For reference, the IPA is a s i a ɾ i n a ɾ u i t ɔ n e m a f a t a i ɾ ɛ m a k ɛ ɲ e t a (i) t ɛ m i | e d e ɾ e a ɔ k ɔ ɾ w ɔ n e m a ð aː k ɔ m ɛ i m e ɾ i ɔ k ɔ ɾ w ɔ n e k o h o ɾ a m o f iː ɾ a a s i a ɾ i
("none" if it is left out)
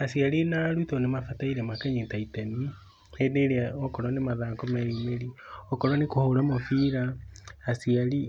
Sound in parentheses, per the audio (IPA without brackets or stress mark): i